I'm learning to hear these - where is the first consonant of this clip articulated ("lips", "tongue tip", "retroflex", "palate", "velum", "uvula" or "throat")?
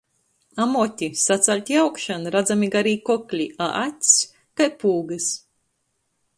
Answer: lips